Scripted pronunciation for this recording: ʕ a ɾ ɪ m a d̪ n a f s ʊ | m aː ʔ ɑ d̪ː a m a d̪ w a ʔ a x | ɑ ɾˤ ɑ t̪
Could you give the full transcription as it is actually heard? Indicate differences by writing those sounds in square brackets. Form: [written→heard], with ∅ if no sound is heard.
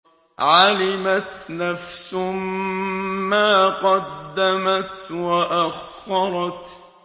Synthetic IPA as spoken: ʕ a [ɾ→l] ɪ m a [d̪→t̪] n a f s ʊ | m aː [ʔ→q] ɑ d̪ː a m a [d̪→t̪] w a ʔ a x | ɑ ɾˤ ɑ t̪